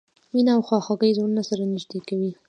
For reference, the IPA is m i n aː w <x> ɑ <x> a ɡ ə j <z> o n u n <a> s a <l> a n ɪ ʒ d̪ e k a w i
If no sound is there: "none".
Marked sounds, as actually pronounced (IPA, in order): x, x, z, a, ɾ

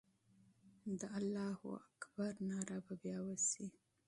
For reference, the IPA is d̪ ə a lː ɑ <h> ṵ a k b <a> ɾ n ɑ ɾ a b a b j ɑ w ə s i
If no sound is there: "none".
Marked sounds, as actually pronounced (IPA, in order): h, a

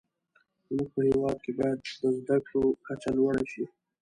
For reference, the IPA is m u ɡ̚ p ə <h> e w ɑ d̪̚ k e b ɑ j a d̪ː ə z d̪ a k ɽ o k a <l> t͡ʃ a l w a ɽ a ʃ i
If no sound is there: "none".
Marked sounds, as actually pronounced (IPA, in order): h, none

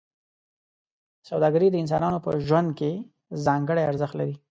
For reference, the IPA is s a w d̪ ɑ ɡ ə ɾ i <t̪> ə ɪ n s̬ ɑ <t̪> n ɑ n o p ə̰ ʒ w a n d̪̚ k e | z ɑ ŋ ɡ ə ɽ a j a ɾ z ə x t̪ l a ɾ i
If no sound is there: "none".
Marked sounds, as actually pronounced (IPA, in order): d̪, none

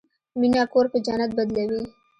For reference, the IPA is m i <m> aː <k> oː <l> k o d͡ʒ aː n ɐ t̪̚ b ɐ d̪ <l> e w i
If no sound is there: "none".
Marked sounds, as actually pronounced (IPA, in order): n, k, ɾ, l

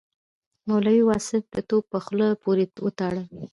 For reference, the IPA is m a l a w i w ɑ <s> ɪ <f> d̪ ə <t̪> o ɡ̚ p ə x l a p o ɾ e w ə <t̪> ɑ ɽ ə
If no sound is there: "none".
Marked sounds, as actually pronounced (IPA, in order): s, f, t̪, t̪

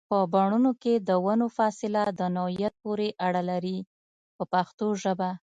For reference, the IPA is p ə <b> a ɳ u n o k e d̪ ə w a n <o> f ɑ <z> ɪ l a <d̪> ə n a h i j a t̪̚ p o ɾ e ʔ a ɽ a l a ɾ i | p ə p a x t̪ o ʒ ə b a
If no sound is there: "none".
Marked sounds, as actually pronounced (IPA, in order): b, o, s, d̪

